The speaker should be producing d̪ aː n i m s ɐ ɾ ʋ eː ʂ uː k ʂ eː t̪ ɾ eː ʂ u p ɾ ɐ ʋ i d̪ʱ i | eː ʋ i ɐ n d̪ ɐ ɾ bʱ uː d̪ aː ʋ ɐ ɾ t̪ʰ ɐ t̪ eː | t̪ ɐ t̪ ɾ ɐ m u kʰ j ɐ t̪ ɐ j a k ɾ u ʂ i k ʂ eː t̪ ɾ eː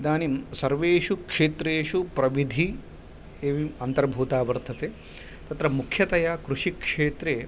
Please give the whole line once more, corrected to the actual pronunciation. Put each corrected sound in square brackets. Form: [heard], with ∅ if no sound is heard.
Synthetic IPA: d̪ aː n i m s ɐ ɾ ʋ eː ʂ [u] k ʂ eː t̪ ɾ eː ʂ u p ɾ ɐ ʋ i d̪ʱ i | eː ʋ i ɐ n [t̪] ɐ ɾ bʱ uː [t̪] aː ʋ ɐ ɾ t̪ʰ ɐ t̪ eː | t̪ ɐ t̪ ɾ ɐ m u kʰ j ɐ t̪ ɐ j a k ɾ u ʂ i k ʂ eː t̪ ɾ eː

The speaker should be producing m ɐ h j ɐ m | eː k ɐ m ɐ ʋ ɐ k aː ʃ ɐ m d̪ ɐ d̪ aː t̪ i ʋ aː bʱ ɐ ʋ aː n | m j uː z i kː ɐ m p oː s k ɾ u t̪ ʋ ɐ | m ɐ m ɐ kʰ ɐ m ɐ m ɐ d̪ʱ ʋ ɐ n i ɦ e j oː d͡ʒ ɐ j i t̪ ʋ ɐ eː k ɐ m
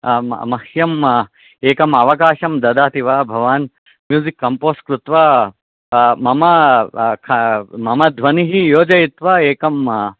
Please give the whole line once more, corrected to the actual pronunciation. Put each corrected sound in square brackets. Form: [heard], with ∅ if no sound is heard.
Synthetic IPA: m ɐ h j ɐ m | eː k ɐ m ɐ ʋ ɐ k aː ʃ ɐ m d̪ ɐ d̪ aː t̪ i ʋ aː bʱ ɐ ʋ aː n | m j uː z i kː ɐ m p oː s k ɾ u t̪ ʋ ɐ | m ɐ m ɐ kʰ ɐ m ɐ m ɐ d̪ʱ ʋ ɐ n i ɦ [i] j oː d͡ʒ ɐ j i t̪ ʋ ɐ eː k ɐ m

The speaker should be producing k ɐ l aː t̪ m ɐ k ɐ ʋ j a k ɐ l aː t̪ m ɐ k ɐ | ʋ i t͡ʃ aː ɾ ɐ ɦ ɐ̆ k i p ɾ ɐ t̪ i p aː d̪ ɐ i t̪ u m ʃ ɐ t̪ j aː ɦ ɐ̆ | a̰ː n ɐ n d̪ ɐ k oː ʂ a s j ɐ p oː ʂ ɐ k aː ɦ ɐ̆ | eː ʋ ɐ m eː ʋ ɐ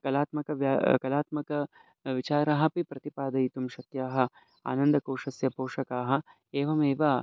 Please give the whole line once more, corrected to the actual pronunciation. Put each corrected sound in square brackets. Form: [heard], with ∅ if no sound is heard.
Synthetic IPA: k ɐ l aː t̪ m ɐ k ɐ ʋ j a k ɐ l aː t̪ m ɐ k ɐ | ʋ i t͡ʃ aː ɾ ɐ ɦ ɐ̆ [p] i p ɾ ɐ t̪ i p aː d̪ ɐ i t̪ u m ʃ ɐ t̪ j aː ɦ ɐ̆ | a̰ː n ɐ n d̪ ɐ k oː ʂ [ɐ] s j ɐ p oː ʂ ɐ k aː ɦ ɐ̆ | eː ʋ ɐ m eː ʋ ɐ

